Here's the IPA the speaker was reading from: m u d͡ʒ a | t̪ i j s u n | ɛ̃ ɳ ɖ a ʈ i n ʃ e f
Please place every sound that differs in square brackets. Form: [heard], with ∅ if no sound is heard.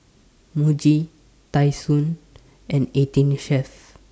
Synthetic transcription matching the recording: m u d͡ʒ [i] | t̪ [a] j s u n | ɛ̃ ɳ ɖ [e] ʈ i n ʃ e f